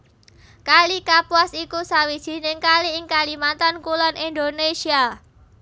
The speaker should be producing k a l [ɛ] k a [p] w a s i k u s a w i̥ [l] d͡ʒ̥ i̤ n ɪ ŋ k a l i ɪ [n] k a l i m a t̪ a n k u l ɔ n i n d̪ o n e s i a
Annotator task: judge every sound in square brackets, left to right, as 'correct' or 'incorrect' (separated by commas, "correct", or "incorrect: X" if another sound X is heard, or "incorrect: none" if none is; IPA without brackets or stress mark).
incorrect: i, correct, incorrect: none, incorrect: ŋ